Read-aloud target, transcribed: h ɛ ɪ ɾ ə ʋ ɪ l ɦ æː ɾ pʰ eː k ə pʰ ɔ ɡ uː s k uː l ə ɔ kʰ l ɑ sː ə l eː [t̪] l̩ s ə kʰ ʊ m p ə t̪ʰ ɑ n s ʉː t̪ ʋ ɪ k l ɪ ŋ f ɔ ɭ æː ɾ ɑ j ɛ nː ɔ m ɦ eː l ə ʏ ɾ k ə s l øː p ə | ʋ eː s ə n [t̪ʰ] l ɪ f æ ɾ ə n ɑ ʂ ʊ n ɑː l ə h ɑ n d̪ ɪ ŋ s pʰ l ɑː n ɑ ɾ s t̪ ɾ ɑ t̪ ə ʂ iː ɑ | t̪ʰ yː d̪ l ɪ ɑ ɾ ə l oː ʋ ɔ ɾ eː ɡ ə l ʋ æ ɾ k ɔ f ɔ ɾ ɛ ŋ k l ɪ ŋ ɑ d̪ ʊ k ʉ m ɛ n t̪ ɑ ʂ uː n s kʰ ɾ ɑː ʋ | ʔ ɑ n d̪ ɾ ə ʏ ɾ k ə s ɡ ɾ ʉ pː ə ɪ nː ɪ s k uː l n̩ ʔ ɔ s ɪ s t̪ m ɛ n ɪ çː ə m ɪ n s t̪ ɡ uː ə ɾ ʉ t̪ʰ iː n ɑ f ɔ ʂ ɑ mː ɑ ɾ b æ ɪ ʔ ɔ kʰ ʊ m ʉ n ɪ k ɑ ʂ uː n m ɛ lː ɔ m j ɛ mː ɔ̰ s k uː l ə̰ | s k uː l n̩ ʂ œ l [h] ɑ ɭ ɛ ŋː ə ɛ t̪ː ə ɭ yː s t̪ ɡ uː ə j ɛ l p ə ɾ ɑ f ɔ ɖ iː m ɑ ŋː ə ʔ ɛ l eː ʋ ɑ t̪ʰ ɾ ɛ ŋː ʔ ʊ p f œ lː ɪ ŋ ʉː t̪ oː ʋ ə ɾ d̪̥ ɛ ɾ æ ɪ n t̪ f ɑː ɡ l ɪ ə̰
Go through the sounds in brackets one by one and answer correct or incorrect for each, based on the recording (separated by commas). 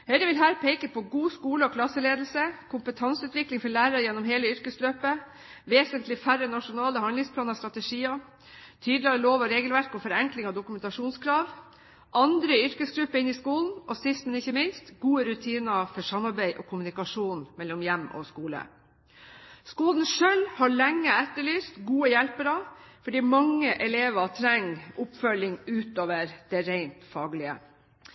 incorrect, incorrect, correct